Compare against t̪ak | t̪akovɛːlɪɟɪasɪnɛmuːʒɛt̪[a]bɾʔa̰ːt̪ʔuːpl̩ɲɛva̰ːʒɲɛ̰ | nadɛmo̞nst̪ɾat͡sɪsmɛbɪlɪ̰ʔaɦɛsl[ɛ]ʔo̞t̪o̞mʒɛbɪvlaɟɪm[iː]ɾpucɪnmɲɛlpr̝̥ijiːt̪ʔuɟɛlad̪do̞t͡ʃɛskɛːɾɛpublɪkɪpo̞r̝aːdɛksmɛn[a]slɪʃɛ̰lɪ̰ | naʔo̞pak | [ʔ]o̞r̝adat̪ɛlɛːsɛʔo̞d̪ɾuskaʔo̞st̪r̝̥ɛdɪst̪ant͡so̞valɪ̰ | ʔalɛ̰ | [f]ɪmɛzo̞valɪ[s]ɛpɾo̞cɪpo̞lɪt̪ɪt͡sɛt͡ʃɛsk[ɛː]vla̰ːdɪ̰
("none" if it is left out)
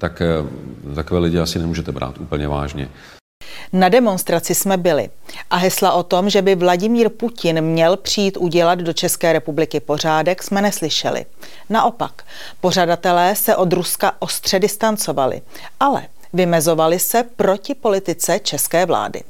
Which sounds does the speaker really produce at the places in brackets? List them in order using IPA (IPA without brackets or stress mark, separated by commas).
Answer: ɛ, a, iː, ɛ, p, v, s, ɛː